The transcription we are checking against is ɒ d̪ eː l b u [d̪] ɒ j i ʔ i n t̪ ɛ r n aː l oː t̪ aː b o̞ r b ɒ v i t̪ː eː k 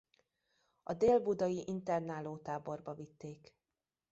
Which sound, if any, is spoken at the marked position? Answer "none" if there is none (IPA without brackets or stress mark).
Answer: d̪